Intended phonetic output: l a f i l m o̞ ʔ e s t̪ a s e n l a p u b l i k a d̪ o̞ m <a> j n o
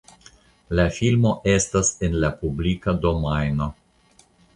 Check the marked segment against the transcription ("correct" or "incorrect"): correct